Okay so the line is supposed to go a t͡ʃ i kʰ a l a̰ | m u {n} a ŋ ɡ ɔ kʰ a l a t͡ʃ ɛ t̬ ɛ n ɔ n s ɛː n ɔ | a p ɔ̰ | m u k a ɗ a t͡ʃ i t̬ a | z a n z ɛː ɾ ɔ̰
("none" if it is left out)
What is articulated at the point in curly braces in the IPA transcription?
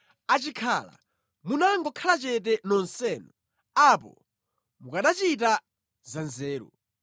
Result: n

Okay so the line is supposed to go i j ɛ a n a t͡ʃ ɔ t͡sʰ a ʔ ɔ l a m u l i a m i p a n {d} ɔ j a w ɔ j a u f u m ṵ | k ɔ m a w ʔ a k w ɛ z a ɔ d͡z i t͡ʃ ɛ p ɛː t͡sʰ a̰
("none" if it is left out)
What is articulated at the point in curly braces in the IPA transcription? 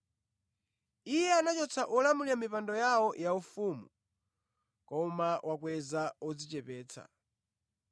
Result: d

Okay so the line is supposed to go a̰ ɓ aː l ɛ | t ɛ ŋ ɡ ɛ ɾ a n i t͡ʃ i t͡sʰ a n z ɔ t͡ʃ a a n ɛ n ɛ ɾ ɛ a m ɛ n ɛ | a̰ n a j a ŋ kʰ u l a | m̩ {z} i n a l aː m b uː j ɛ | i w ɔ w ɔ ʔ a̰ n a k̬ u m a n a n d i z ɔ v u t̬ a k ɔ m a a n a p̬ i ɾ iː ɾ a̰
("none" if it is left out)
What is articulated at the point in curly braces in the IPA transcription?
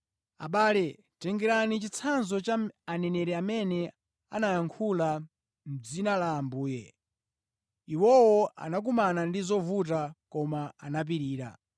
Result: d͡z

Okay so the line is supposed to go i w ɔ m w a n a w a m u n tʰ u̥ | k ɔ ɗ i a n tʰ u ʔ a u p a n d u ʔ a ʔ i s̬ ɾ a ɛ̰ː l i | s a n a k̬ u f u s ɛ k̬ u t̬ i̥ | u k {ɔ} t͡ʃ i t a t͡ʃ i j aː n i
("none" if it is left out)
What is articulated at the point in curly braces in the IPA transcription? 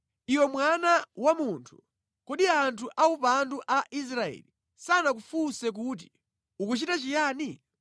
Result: u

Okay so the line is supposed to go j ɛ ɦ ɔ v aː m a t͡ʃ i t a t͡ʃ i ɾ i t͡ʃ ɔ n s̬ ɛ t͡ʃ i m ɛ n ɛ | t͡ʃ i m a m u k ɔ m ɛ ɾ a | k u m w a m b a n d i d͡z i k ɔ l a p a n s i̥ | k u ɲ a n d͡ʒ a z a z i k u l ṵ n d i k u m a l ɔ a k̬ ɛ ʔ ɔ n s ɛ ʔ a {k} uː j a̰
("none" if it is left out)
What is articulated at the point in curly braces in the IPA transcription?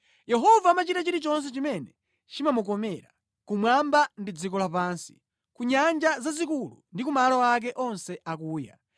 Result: k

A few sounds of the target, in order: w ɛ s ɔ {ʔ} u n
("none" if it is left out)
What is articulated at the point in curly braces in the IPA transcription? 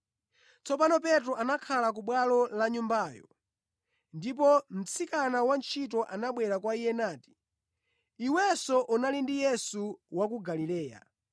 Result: ʔ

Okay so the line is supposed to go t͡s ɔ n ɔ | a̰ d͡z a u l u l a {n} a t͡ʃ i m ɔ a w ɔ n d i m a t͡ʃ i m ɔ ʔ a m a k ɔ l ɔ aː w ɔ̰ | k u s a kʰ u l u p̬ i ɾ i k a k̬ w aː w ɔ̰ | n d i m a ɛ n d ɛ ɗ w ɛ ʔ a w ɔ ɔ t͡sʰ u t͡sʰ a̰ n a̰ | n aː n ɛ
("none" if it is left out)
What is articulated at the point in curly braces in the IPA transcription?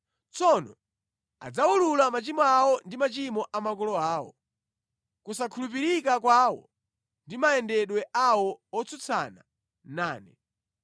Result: m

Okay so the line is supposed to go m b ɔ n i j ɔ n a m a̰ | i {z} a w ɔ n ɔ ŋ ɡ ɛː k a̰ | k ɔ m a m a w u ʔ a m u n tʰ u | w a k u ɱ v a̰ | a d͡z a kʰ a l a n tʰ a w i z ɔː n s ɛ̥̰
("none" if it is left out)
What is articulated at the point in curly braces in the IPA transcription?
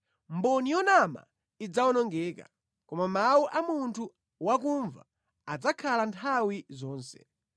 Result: d͡z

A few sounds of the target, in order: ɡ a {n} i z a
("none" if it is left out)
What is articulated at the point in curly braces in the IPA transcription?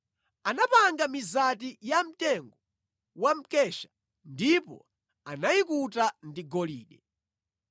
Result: m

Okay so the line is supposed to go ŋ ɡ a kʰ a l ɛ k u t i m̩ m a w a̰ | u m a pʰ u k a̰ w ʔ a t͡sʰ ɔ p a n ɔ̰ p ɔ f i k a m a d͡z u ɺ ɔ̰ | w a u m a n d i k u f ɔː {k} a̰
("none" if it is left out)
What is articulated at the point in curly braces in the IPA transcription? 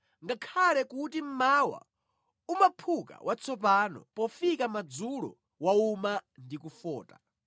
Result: t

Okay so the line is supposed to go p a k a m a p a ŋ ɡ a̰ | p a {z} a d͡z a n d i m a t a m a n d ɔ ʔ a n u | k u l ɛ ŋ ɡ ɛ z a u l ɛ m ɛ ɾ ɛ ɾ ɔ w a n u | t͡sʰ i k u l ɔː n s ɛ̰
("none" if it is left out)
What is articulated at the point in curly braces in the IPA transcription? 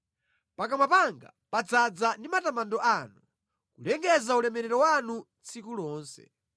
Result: d͡z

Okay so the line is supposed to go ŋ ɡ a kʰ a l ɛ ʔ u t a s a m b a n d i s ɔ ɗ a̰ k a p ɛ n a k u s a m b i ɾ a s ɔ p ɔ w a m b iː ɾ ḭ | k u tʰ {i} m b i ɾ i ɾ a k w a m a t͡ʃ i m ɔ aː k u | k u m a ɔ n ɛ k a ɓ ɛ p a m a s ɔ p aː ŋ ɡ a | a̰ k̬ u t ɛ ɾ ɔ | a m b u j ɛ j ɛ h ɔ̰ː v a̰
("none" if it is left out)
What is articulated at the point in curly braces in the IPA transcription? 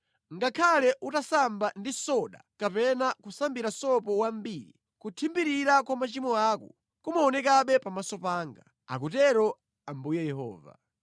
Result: i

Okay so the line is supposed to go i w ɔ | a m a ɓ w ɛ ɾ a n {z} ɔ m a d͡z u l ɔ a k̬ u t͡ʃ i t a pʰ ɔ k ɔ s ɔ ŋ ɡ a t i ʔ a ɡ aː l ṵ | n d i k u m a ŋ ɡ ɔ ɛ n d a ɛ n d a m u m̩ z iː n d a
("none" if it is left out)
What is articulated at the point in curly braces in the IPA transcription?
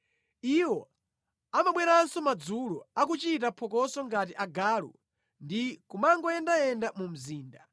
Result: s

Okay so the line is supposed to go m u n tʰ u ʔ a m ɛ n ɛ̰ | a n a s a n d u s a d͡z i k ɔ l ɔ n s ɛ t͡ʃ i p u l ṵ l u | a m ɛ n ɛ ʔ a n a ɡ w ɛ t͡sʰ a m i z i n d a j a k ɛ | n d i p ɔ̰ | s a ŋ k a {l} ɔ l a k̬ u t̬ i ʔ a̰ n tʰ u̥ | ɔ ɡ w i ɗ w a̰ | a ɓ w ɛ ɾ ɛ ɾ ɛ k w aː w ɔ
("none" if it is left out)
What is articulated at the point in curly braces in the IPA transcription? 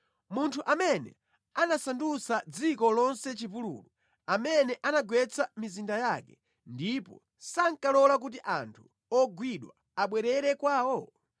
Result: l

